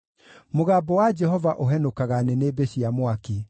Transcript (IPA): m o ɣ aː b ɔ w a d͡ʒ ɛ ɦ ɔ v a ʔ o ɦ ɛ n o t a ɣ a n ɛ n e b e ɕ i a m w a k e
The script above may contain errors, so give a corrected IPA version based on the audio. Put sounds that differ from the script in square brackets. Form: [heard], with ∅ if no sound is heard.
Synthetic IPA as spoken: m o ɣ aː b ɔ w a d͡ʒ ɛ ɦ ɔ v a ʔ o ɦ ɛ n o [k] a ɣ a n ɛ n e b e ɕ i a m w a k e